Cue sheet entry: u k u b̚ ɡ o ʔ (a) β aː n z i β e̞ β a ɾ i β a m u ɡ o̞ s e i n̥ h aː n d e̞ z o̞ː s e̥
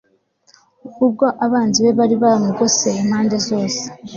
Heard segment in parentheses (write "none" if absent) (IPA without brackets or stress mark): a